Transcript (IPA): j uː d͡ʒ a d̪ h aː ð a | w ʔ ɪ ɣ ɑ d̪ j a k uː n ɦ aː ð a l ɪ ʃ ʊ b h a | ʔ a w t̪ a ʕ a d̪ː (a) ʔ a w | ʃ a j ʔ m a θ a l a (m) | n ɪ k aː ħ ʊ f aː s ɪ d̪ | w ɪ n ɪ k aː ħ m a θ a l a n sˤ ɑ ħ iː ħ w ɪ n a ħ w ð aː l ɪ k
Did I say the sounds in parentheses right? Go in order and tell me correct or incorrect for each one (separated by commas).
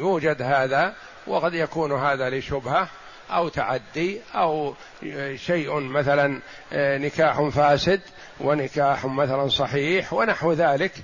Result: incorrect, incorrect